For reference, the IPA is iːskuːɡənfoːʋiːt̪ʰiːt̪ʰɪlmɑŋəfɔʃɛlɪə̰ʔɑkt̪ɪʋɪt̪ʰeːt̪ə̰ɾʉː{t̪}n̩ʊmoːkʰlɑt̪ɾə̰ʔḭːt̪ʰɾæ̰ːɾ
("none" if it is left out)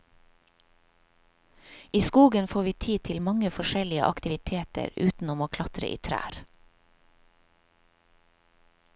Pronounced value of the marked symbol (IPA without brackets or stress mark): t̪